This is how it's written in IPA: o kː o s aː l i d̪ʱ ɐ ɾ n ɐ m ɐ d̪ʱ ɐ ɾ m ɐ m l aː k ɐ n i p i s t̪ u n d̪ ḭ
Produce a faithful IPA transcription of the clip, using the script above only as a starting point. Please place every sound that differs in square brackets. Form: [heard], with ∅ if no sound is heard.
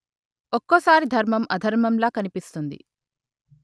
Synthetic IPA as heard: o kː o s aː [ɾ] i d̪ʱ ɐ ɾ [m] ɐ m ɐ d̪ʱ ɐ ɾ m ɐ m l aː k ɐ n i p i s t̪ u n d̪ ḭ